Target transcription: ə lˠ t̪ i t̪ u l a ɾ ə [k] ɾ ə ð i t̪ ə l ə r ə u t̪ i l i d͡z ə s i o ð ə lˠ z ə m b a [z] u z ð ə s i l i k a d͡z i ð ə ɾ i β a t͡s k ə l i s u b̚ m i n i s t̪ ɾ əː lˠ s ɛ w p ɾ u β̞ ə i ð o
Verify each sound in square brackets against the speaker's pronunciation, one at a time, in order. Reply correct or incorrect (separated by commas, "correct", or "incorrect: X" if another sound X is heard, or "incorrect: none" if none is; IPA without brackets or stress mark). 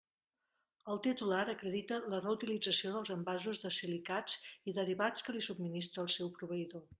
correct, correct